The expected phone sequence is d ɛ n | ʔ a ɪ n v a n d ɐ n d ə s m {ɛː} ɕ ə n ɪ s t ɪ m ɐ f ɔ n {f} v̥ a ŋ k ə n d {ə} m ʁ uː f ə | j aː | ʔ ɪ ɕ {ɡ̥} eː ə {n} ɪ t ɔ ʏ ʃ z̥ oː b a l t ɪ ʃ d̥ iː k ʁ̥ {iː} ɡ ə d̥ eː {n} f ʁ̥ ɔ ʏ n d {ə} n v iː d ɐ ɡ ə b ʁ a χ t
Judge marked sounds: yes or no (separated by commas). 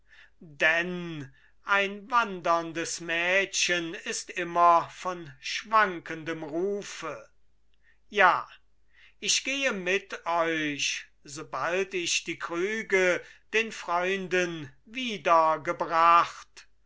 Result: yes, no, yes, yes, no, no, yes, yes